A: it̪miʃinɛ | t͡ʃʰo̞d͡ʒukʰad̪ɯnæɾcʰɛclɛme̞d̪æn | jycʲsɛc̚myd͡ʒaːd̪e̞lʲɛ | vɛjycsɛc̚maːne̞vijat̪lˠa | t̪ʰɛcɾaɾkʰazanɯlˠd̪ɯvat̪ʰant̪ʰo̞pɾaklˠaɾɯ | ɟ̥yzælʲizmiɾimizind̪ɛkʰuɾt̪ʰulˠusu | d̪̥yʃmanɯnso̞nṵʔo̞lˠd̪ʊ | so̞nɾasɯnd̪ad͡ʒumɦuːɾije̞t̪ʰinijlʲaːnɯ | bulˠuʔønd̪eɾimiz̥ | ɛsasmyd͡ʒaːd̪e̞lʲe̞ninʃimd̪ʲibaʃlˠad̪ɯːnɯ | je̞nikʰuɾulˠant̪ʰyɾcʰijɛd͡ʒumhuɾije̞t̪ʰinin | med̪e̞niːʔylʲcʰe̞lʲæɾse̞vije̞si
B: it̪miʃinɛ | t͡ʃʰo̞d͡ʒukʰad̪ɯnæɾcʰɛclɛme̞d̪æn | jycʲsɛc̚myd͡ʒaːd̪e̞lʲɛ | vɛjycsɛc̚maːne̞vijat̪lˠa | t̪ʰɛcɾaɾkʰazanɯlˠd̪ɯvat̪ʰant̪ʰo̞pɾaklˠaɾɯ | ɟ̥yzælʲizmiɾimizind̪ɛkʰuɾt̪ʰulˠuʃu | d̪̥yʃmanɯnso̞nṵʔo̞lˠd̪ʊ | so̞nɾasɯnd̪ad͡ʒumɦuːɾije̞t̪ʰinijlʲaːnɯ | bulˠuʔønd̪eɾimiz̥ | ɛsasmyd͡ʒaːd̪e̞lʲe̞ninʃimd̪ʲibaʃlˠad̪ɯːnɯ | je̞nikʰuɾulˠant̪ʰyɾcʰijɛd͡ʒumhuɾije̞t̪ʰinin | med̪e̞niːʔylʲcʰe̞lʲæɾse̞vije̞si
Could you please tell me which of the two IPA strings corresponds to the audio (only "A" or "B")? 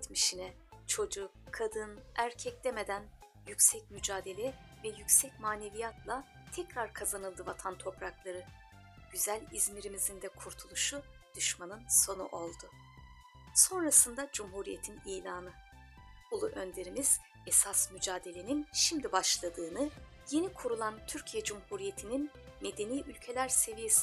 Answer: B